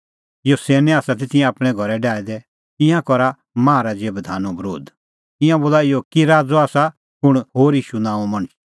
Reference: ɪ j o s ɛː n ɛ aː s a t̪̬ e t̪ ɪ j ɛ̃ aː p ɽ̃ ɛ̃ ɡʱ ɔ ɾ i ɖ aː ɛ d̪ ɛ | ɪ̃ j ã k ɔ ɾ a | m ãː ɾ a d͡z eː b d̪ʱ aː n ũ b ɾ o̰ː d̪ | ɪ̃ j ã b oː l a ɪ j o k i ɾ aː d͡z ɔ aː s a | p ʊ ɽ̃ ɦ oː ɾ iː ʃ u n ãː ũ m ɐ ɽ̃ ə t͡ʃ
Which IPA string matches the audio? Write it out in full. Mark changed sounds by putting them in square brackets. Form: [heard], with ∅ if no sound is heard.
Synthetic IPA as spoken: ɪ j o s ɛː n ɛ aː s a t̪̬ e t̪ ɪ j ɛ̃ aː p ɽ̃ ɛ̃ ɡʱ ɔ ɾ [ɛ] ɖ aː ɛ d̪ ɛ | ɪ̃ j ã k ɔ ɾ a | m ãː ɾ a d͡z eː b d̪ʱ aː n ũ b ɾ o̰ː d̪ | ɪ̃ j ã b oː l a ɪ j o k i ɾ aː d͡z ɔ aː s a | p ʊ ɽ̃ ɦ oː ɾ iː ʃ u n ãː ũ m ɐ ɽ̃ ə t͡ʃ